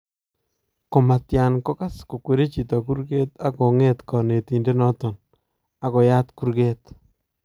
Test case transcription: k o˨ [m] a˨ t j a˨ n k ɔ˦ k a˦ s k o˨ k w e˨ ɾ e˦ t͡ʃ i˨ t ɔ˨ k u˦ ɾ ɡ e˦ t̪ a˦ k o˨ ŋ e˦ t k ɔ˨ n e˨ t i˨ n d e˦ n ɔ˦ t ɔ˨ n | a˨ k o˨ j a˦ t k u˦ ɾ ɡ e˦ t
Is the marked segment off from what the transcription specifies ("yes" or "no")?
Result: no